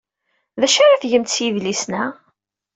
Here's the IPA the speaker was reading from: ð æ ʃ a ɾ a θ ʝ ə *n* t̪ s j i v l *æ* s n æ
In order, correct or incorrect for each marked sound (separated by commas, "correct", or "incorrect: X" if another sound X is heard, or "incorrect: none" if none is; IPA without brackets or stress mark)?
incorrect: m, incorrect: i